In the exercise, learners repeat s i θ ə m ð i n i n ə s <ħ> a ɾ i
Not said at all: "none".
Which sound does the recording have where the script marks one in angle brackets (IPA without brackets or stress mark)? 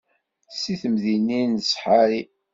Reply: ħ